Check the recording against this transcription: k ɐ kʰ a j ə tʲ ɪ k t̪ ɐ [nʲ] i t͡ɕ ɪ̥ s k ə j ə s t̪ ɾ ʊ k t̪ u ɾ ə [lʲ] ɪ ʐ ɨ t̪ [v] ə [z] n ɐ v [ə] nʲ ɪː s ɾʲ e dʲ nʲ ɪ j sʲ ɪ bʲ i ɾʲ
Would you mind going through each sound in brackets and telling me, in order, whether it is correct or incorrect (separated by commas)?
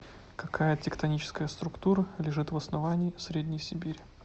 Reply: correct, correct, correct, incorrect, incorrect